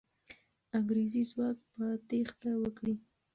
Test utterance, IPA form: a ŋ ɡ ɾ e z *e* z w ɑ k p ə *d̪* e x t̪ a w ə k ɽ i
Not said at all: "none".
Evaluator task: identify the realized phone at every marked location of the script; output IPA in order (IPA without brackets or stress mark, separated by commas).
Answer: i, t̪